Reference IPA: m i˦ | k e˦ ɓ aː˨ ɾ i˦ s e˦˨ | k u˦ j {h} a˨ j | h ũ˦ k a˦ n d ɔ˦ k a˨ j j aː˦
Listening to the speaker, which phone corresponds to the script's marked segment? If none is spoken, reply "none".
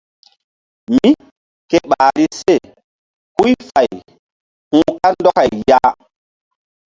f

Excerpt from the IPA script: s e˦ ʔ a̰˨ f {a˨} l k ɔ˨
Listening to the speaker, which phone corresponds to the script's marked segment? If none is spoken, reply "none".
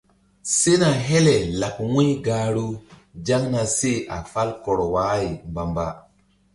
a˦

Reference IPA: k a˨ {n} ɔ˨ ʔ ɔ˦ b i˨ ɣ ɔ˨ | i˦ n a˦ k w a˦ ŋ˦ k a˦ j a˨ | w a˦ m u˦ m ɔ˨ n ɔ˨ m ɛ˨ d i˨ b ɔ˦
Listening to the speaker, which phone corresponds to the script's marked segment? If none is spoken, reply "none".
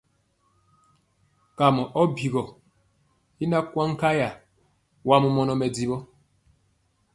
m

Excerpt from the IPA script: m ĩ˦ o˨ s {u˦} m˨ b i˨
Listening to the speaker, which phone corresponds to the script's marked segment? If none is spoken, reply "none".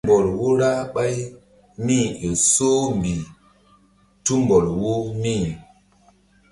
o˦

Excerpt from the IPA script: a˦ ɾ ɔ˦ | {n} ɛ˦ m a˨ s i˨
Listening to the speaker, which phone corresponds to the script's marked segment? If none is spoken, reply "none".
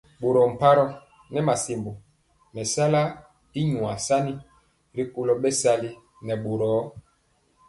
n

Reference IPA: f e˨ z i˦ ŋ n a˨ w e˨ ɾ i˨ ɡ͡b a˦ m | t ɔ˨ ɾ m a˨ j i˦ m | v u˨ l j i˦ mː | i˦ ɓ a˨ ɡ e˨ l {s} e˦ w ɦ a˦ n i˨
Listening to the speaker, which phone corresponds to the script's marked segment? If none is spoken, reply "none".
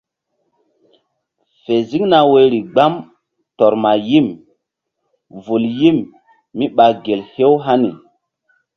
h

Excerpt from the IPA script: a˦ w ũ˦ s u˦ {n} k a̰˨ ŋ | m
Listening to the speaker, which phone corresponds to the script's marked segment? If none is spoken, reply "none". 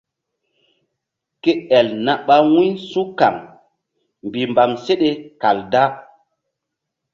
none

